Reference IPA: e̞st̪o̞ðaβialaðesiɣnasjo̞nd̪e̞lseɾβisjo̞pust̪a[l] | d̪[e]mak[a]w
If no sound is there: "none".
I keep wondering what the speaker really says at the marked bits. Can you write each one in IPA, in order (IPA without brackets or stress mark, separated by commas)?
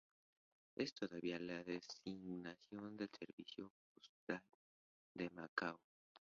l, e, a